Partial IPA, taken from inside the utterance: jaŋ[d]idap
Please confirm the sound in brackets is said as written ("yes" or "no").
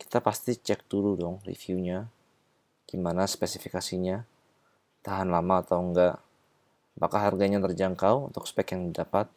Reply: yes